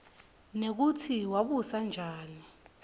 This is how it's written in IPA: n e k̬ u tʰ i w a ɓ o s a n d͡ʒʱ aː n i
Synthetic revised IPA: n e k̬ u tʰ i w a ɓ u s a n d͡ʒʱ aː n i